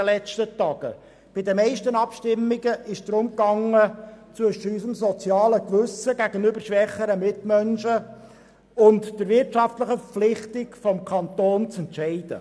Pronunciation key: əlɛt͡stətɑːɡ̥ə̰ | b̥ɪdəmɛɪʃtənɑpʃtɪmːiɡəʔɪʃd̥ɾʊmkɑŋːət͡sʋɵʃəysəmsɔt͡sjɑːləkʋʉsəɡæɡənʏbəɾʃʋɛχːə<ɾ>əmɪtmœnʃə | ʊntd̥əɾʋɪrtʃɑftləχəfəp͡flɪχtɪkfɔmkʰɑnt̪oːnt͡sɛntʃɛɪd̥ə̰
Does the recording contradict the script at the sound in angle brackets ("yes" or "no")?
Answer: no